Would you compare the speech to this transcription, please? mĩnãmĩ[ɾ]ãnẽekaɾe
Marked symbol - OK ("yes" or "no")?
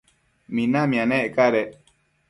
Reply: no